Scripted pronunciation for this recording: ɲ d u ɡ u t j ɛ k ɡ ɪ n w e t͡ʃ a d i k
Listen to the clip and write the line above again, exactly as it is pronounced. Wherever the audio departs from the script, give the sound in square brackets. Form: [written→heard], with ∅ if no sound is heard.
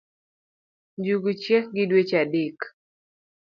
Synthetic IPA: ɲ [d→d͡ʒ] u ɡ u [t→t͡ʃ] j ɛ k ɡ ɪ [n→d] w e t͡ʃ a d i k